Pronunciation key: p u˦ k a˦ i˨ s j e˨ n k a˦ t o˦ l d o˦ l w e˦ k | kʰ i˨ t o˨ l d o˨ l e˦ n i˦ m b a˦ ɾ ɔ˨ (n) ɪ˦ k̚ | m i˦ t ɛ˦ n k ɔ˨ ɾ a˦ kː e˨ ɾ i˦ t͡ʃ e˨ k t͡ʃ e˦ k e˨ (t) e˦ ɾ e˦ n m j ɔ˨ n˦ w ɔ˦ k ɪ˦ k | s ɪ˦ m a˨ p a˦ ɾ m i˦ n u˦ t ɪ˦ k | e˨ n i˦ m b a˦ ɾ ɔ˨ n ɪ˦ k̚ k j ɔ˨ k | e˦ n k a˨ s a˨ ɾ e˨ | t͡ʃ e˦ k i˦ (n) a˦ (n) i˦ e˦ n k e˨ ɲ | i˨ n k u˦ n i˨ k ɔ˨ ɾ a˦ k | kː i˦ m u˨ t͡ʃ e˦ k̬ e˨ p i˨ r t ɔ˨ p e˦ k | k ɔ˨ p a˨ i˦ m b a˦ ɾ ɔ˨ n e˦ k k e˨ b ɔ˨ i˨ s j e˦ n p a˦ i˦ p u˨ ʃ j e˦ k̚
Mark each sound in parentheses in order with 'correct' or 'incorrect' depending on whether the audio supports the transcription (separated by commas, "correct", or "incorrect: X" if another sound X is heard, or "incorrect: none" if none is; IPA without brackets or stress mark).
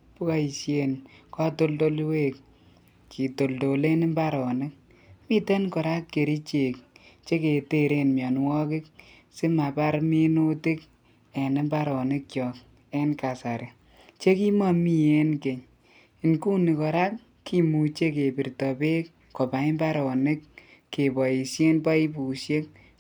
correct, correct, incorrect: m, incorrect: m